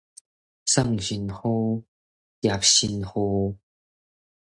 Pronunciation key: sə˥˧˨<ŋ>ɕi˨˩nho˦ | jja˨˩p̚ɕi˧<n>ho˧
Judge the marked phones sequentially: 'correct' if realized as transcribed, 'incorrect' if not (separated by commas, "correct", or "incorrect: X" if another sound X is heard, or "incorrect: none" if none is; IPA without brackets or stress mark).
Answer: correct, correct